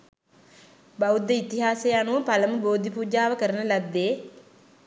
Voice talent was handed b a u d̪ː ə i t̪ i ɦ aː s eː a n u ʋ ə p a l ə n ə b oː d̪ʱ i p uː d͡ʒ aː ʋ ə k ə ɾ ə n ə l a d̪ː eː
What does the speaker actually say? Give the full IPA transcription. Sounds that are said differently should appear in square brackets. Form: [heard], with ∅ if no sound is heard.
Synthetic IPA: b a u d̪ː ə i t̪ i ɦ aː s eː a n u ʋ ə p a l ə [m] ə b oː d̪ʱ i p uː d͡ʒ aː ʋ ə k ə ɾ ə n ə l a d̪ː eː